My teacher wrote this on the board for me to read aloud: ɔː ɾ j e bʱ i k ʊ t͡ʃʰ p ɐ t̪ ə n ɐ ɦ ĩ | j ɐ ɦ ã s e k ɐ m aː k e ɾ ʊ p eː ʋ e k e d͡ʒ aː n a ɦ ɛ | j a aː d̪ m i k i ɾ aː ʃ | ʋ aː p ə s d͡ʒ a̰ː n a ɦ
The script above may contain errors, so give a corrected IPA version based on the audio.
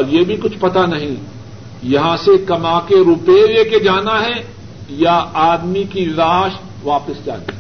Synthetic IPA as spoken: ɔː ɾ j e bʱ i k ʊ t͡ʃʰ p ɐ t̪ a n ɐ ɦ ĩ | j ɐ ɦ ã s e k ɐ m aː k e ɾ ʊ p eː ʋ e k e d͡ʒ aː n a ɦ ɛ | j a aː d̪ m i k i ɾ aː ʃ | ʋ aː p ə s d͡ʒ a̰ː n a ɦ